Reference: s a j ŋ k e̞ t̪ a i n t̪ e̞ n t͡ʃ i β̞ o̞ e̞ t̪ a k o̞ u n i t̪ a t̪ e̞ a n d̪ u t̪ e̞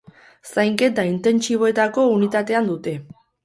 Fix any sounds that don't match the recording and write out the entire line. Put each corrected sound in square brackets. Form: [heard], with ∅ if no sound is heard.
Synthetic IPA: s a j ŋ k e̞ t̪ a i n t̪ e̞ n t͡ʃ i β̞ o̞ e̞ t̪ a k o̞ u n i t̪ a t̪ e̞ a n d̪ u t̪ e̞